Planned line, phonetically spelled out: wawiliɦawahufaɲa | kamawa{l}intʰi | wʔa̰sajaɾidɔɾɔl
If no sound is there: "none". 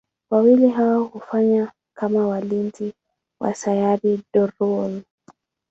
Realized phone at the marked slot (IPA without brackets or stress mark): l